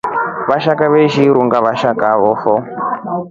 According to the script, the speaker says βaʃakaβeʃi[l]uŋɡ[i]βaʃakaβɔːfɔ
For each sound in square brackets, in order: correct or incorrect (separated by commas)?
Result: incorrect, incorrect